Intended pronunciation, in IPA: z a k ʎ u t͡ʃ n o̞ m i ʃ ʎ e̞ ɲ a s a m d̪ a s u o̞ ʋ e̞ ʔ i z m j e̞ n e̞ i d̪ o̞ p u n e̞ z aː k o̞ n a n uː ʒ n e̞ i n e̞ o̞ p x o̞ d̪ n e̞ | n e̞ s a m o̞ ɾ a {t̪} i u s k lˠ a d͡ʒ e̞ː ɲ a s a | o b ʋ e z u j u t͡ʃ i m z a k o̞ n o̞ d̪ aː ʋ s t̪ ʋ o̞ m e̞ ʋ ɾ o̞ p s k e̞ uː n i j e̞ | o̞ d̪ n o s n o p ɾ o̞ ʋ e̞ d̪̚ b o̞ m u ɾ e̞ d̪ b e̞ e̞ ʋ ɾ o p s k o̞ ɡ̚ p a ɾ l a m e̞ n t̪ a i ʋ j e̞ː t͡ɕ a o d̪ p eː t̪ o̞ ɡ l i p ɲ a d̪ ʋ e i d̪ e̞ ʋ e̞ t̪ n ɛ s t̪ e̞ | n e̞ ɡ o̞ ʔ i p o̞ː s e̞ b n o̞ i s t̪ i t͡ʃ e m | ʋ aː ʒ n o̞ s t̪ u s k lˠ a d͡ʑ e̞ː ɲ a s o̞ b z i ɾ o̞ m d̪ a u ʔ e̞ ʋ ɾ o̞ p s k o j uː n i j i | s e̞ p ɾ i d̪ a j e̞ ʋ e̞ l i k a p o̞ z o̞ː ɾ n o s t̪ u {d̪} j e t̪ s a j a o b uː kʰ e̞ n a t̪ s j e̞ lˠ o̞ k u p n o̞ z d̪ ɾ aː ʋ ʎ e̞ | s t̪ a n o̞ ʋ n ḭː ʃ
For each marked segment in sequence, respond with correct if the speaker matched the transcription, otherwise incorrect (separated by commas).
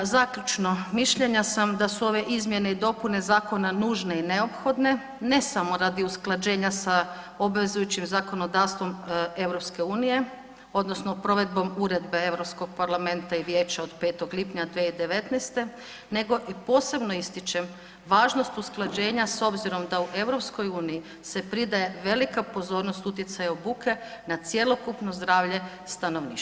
incorrect, incorrect